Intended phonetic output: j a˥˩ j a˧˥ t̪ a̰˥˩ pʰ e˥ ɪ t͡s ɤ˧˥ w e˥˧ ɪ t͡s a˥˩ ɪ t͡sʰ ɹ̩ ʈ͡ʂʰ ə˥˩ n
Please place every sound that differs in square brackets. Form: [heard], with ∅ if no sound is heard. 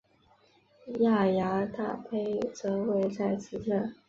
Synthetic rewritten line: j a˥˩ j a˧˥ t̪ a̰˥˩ pʰ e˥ ɪ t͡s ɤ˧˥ w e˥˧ ɪ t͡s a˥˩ ɪ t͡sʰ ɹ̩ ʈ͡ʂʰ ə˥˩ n